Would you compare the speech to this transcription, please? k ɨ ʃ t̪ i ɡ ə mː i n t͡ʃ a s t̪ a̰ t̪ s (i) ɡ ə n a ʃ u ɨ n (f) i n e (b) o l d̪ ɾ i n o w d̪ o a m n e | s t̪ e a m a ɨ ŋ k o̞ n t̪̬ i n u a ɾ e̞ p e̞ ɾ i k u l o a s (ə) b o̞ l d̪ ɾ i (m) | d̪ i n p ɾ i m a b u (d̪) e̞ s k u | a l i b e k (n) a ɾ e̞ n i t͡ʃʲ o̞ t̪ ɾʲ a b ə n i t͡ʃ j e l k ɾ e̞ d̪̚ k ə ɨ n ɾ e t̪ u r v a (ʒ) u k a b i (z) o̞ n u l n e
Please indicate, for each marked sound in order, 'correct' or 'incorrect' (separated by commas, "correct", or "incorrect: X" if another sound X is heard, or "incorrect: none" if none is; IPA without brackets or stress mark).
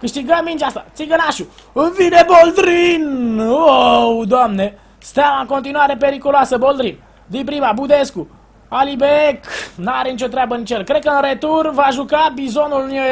correct, incorrect: v, correct, correct, incorrect: n, correct, correct, correct, correct